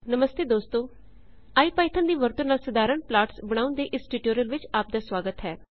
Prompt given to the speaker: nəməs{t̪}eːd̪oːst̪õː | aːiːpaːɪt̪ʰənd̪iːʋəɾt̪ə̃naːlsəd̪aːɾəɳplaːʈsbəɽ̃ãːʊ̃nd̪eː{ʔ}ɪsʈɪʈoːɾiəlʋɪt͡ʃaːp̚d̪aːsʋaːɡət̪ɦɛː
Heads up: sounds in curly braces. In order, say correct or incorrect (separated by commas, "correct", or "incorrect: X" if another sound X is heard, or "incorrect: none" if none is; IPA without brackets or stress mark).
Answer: correct, correct